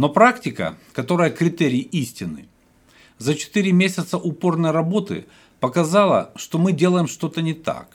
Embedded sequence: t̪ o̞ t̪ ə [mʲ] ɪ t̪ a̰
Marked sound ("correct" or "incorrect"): incorrect